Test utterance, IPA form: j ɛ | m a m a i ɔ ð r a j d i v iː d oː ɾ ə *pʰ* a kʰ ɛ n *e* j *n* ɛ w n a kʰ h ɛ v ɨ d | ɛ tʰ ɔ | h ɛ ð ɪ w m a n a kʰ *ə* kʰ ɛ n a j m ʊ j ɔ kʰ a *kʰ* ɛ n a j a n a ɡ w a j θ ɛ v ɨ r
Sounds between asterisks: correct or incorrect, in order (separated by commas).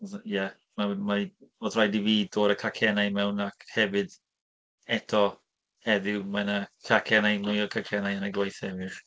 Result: incorrect, incorrect, incorrect, incorrect, correct